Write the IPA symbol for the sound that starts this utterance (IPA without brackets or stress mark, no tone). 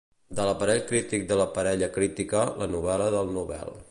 d̪